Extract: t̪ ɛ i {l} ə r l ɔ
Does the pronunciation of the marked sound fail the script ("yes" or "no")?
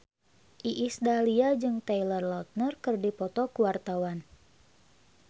no